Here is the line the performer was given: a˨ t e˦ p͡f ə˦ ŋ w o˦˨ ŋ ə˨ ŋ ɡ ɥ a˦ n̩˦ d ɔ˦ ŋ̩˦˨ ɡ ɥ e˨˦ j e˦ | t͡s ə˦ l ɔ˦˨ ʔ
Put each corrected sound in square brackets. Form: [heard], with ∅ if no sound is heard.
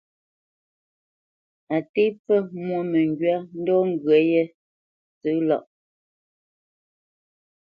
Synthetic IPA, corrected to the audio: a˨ t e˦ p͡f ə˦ [m] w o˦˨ [m] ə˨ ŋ ɡ ɥ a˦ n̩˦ d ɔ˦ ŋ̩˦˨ ɡ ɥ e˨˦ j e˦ | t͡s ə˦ l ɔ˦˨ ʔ